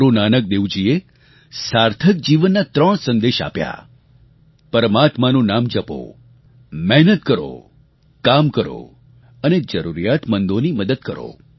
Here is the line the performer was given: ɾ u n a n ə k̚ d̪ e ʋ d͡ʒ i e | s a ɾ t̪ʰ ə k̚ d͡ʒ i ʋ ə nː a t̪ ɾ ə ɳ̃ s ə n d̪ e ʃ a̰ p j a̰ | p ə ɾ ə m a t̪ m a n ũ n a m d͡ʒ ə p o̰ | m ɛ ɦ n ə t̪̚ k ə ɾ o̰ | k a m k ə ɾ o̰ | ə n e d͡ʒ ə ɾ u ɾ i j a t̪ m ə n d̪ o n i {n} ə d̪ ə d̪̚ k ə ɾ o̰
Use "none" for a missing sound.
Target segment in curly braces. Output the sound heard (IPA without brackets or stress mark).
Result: m